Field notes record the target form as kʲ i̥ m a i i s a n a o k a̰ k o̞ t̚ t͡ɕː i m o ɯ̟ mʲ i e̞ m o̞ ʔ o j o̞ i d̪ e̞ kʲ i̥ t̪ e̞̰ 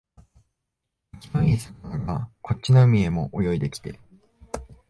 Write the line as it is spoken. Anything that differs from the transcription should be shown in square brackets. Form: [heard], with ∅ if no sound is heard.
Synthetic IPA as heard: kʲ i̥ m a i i s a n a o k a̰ k o̞ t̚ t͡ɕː i [n] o ɯ̟ mʲ i e̞ m o̞ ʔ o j o̞ i d̪ e̞ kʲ i̥ t̪ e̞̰